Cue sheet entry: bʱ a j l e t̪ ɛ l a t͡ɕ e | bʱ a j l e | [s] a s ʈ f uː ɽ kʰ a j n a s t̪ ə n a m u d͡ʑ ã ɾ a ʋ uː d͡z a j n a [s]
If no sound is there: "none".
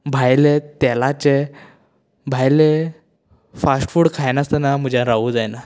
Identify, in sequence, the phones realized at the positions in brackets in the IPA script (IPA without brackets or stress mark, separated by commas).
f, none